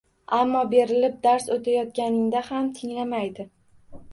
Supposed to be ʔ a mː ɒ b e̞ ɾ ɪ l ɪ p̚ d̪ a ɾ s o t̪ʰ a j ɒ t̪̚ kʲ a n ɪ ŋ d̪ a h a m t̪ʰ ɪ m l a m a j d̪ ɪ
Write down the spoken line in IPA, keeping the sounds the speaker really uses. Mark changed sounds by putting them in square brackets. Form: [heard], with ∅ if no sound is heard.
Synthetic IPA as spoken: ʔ a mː ɒ b e̞ ɾ ɪ l ɪ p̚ d̪ a ɾ s o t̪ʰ a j ɒ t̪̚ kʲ a n ɪ ŋ d̪ a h a m t̪ʰ ɪ [ŋ] l a m a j d̪ ɪ